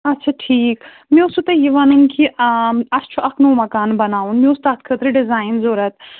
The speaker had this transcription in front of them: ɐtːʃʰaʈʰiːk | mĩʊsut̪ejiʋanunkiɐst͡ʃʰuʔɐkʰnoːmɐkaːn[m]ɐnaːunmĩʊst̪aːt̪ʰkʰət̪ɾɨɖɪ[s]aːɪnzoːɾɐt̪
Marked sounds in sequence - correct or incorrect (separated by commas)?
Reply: incorrect, incorrect